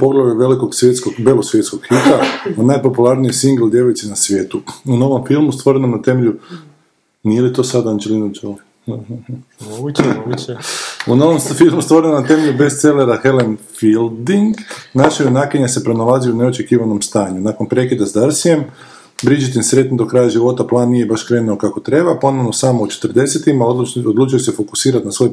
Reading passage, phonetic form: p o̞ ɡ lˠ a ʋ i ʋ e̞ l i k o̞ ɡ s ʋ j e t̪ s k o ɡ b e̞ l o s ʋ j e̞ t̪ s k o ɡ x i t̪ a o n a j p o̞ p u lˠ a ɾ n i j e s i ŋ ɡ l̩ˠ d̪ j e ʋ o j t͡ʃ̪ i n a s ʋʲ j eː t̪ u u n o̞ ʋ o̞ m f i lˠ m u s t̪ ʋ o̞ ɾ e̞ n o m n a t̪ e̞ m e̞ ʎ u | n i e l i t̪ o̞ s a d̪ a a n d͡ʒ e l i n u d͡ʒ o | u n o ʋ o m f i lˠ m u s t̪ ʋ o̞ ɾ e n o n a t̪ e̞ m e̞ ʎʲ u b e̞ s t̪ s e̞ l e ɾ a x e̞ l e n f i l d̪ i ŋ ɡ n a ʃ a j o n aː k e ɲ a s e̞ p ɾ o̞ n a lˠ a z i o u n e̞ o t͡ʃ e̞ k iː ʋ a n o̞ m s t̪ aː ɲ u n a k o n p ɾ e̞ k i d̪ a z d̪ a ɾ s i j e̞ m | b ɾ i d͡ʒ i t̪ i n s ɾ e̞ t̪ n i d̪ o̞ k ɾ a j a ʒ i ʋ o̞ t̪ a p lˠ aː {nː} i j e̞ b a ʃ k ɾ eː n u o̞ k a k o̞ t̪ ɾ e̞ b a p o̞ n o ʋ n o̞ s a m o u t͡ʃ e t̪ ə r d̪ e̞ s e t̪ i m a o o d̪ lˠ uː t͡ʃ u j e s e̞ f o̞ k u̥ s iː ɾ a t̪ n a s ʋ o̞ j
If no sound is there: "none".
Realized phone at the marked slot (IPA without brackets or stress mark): nː